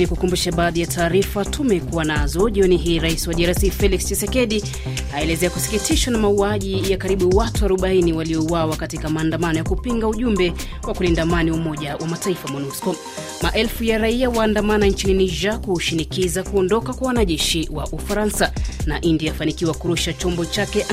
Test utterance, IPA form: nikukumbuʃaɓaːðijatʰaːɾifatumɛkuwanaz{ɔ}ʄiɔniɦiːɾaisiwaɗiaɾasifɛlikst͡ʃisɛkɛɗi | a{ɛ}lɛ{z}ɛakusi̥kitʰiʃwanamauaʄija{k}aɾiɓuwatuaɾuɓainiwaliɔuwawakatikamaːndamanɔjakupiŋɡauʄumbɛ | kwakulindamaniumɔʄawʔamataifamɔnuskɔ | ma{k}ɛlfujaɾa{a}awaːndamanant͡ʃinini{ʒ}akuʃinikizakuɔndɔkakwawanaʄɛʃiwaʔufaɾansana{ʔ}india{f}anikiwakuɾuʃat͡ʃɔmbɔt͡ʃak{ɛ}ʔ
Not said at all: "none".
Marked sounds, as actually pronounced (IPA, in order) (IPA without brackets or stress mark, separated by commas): ɔ, ɛ, z, k, ʔ, i, ʒ, ʔ, f, ɛ